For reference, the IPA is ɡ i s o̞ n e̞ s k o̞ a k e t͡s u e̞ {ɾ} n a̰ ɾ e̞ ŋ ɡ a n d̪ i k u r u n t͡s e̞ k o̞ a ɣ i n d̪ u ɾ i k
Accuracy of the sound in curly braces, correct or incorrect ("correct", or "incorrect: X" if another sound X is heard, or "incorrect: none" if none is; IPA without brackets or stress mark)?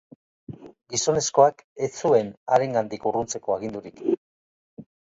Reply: incorrect: none